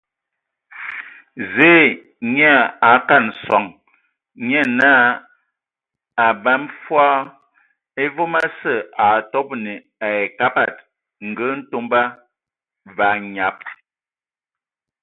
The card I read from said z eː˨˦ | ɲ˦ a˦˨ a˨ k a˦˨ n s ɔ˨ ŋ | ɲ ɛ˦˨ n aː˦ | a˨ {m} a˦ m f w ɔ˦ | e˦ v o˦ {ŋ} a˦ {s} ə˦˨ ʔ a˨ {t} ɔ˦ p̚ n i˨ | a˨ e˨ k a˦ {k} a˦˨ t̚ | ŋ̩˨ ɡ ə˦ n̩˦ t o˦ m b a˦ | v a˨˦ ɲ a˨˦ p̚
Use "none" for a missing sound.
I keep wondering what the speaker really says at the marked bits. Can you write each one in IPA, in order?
b, m, s, t, p

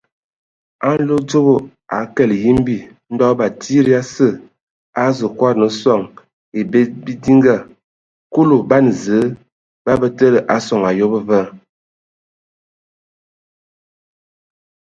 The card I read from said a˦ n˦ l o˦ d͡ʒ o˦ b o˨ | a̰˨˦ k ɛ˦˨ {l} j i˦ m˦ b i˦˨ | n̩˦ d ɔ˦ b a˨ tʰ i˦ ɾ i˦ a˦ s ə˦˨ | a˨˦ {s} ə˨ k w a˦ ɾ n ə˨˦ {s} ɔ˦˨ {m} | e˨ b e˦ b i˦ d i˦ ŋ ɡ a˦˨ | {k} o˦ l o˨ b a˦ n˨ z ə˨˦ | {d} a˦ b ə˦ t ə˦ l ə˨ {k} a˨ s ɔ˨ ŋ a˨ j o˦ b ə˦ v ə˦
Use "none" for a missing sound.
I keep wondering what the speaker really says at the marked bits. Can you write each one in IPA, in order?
l, z, s, ŋ, k, b, ʔ

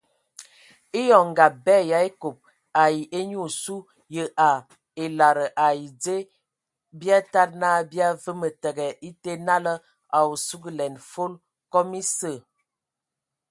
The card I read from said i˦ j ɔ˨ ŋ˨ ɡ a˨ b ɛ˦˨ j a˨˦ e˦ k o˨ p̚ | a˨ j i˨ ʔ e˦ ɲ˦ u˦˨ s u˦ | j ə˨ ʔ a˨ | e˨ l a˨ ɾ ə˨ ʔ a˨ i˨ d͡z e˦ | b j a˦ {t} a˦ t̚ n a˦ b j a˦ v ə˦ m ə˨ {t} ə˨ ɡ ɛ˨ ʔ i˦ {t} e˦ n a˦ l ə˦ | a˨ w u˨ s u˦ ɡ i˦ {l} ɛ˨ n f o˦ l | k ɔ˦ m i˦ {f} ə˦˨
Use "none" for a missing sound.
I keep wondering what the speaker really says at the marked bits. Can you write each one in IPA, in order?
t, t, t, l, s

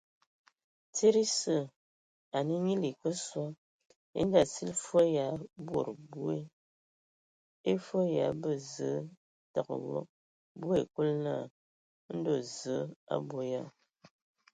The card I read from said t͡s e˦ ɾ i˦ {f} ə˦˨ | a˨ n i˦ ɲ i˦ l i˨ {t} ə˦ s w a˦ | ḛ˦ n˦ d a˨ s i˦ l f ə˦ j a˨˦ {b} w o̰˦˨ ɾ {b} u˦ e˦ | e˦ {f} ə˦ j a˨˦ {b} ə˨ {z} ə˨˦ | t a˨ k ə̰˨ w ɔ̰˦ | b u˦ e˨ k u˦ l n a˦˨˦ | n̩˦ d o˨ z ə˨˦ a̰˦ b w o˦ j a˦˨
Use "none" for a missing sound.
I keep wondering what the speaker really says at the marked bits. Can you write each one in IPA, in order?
s, k, b, b, f, b, z

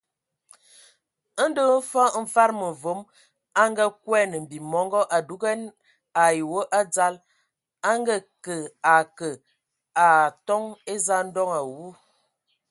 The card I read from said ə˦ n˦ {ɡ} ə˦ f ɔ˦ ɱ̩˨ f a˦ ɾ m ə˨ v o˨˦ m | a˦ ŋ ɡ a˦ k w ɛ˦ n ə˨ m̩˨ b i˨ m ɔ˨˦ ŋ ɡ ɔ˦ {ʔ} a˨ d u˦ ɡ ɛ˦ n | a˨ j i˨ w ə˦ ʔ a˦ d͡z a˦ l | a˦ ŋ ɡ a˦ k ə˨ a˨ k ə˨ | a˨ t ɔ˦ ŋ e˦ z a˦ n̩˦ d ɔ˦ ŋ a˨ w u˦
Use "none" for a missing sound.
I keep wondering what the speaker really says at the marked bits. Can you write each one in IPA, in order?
d, ʔ

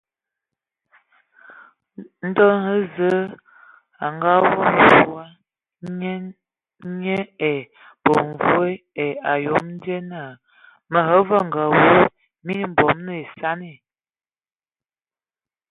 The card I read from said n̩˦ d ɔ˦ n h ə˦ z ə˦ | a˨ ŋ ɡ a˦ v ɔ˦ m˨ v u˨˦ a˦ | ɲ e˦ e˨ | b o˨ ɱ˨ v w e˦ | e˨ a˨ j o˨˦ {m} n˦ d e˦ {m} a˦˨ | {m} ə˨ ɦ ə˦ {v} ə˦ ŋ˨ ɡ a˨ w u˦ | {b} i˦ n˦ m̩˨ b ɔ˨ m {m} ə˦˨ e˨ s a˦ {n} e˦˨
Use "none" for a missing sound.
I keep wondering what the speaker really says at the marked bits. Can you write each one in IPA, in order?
m, n, m, v, m, n, n

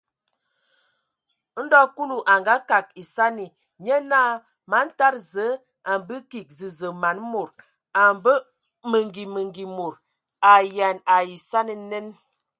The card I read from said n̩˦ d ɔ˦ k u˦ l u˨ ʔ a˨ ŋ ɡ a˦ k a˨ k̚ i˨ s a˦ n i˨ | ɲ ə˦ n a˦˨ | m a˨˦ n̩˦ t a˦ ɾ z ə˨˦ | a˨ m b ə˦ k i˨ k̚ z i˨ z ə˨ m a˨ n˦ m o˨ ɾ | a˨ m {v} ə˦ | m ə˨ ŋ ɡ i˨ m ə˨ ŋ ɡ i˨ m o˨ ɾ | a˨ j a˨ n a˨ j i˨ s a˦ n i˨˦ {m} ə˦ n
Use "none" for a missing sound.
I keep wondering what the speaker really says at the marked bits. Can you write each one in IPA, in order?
b, n

